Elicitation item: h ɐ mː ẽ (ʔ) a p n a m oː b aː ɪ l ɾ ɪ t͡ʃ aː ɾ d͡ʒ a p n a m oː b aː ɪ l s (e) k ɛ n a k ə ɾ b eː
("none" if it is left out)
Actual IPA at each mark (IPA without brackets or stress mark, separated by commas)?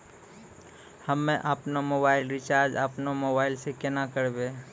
ʔ, e